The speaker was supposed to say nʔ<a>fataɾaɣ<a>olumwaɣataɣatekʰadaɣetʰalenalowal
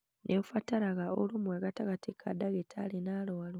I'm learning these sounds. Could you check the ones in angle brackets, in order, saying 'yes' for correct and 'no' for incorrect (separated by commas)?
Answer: no, yes